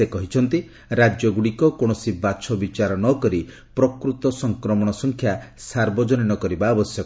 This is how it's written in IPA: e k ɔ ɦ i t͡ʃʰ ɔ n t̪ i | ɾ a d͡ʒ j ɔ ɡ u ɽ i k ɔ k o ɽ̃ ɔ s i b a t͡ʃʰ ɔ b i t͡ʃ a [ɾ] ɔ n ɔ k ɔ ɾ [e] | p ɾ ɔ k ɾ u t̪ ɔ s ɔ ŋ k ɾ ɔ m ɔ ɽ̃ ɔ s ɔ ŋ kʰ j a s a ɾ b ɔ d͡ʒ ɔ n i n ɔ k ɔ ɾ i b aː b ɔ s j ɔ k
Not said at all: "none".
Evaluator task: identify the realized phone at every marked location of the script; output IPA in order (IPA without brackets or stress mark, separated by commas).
ɾ, i